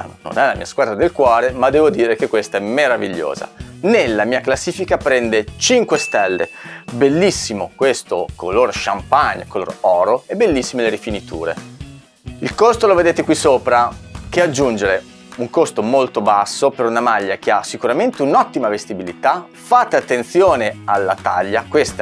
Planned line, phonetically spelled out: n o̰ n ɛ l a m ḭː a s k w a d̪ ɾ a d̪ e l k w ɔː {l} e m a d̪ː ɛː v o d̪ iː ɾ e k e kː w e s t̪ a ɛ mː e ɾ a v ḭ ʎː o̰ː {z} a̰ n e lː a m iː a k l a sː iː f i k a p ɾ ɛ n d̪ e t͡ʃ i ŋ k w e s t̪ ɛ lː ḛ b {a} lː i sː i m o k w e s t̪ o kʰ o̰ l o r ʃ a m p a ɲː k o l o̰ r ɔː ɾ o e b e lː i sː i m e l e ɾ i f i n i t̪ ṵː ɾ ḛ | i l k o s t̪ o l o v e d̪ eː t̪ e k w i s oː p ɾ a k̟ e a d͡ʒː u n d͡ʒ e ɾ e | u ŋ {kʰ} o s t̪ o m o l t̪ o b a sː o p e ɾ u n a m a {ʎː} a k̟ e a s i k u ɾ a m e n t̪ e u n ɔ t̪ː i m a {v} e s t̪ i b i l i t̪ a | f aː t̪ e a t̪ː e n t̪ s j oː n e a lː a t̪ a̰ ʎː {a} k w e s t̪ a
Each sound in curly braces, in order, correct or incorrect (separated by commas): incorrect, correct, incorrect, incorrect, correct, correct, correct